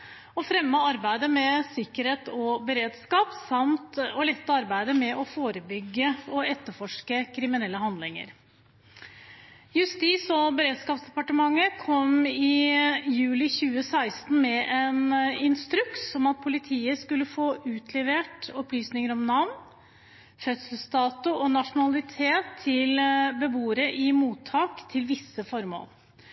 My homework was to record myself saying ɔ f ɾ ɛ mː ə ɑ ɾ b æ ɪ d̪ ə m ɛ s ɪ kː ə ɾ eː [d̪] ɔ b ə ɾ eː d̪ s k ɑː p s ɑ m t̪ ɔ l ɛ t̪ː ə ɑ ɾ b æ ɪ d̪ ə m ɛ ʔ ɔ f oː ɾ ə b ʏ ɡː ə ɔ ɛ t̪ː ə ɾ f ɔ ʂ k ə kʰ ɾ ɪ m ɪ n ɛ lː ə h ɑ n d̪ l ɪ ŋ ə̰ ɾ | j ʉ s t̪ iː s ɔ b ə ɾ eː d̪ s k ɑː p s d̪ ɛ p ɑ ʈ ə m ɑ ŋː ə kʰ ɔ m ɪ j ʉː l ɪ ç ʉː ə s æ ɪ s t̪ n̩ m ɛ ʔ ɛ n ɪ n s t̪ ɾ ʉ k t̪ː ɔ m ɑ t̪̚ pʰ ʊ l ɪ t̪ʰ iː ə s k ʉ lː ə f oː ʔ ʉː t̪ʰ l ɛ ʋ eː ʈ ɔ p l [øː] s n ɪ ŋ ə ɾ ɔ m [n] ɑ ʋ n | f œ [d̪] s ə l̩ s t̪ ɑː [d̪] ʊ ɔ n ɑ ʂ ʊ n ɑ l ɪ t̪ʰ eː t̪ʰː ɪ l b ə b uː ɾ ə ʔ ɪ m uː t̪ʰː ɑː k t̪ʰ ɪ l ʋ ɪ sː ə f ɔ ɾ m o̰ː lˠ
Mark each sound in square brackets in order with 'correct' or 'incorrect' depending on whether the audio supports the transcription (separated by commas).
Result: incorrect, incorrect, correct, incorrect, incorrect